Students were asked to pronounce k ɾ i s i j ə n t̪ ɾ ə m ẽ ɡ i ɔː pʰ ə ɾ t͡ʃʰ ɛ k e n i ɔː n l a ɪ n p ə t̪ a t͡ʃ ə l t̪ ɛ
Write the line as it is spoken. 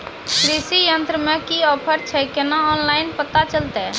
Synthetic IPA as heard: k ɾ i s i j ə n t̪ ɾ ə m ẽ k i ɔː pʰ ə ɾ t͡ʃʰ ɛ k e n a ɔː n l a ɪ n p ə t̪ a t͡ʃ ə l t̪ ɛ

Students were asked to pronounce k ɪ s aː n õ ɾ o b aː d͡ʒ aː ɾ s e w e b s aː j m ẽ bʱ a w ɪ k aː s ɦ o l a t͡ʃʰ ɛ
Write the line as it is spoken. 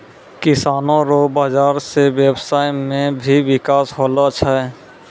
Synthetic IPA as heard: k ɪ s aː n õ ɾ o b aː d͡ʒ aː ɾ s e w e b s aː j m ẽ bʱ i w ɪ k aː s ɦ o l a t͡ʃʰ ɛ

